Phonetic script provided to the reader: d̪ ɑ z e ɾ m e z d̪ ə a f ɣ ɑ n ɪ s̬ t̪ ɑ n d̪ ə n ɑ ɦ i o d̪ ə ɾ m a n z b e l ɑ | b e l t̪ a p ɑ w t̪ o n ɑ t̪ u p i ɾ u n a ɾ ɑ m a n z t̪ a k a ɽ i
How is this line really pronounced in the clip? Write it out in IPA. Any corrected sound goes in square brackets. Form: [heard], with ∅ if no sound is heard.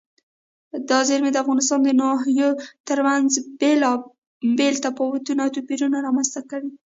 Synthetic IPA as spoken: d̪ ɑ z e ɾ m e [∅] d̪ ə a f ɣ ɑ n ɪ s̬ t̪ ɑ n d̪ ə n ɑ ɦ [j] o [t̪] ə ɾ m a n z b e l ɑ | b e l t̪ a p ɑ w t̪ [u] n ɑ t̪ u p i ɾ u n a ɾ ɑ m a n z t̪ a k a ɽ i